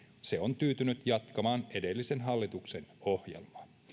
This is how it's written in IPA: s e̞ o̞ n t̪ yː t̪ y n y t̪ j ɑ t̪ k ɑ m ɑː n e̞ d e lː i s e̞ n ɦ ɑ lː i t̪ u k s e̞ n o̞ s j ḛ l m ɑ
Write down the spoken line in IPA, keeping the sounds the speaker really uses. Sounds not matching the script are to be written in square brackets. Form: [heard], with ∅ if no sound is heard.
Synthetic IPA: s e̞ o̞ n t̪ yː t̪ y n y t̪ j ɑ t̪ k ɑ m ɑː n e̞ d e lː i s e̞ n ɦ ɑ lː i t̪ u k s e̞ n o̞ [h] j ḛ l m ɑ